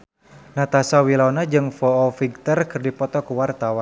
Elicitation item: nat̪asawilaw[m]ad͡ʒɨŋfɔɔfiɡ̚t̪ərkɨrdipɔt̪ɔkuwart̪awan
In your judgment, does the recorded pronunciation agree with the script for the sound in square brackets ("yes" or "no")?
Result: no